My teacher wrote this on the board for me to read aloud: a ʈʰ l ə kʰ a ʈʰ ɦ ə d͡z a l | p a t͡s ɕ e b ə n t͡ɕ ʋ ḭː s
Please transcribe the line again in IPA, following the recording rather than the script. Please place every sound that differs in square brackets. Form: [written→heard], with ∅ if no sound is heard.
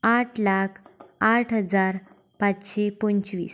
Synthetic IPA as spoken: a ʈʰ l [ə→a] kʰ a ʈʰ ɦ ə d͡z a [l→ɾ] | p a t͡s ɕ e [b→p] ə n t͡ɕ ʋ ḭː s